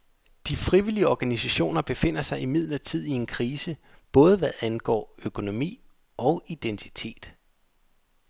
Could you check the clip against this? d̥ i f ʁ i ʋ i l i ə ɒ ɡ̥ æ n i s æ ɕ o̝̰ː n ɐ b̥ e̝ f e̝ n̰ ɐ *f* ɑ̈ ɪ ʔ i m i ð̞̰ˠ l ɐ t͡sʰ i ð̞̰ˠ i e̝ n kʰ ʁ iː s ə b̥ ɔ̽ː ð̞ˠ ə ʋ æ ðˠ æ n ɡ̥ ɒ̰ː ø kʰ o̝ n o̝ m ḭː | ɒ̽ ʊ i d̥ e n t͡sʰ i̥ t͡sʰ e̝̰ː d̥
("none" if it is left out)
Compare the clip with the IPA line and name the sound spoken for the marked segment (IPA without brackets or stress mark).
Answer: s